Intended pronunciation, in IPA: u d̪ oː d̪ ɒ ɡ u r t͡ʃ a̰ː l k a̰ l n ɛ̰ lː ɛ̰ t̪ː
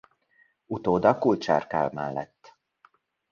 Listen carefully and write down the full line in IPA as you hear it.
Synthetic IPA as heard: u t̪ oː d̪ ɒ k u l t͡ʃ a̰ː r k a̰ l m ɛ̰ lː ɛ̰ t̪ː

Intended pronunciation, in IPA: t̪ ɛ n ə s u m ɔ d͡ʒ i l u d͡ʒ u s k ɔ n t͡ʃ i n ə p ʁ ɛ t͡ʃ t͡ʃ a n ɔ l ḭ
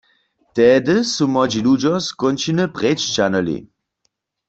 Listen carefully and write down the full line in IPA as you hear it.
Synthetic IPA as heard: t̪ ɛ d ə s u m ɔ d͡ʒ i l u d͡ʒ ɔ s k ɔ n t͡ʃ i n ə p ʁ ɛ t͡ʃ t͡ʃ a n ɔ l ḭ

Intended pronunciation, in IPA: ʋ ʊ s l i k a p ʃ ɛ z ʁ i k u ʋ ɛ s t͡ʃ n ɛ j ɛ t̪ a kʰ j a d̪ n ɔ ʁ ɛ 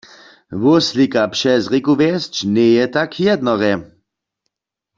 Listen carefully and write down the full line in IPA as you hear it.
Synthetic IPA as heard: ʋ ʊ s l i k a p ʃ ɛ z ʁ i k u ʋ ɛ s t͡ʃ n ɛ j ɛ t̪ a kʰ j ɛ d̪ n ɔ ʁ ɛ

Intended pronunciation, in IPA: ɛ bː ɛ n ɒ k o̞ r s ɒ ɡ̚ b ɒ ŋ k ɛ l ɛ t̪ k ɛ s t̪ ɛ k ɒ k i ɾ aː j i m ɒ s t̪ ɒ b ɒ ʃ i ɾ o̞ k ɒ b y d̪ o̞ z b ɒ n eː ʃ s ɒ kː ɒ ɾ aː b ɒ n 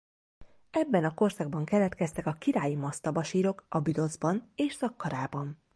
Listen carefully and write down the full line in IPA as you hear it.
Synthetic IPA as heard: ɛ bː ɛ n ɒ k o̞ r s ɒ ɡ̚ b ɒ ŋ k ɛ l ɛ t̪ k ɛ s t̪ ɛ k ɒ k i ɾ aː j i m ɒ s t̪ ɒ b ɒ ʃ iː ɾ o̞ k ɒ b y d̪ o̞ z b ɒ n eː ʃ s ɒ kː ɒ ɾ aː b ɒ n

